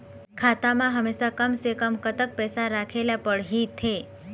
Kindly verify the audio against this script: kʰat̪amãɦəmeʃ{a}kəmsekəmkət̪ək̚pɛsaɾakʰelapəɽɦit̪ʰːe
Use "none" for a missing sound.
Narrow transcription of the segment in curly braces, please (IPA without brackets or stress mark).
a